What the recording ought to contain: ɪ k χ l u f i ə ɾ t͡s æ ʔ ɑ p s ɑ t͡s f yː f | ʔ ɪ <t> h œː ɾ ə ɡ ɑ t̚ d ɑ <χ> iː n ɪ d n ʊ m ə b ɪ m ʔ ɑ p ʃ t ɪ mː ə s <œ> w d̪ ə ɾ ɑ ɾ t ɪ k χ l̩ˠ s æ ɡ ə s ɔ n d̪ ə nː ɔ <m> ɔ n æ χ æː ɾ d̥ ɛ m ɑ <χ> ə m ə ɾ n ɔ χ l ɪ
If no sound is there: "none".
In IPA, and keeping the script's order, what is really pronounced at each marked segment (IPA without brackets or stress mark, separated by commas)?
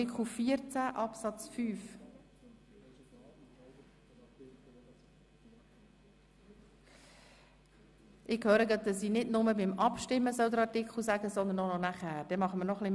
k, s, œ, n, χ